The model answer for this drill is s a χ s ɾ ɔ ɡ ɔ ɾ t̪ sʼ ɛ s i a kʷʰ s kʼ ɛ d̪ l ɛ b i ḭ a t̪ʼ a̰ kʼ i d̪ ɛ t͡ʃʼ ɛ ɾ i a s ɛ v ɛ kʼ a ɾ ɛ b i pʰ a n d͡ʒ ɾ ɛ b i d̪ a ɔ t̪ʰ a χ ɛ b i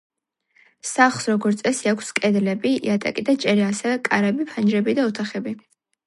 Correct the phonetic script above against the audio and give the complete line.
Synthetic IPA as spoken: s a χ s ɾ ɔ ɡ ɔ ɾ t̪ sʼ ɛ s i a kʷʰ s kʼ ɛ d̪ l ɛ b i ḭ a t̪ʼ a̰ kʼ i d̪ a t͡ʃʼ ɛ ɾ i a s ɛ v ɛ kʼ a ɾ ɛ b i pʰ a n d͡ʒ ɾ ɛ b i d̪ a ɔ t̪ʰ a χ ɛ b i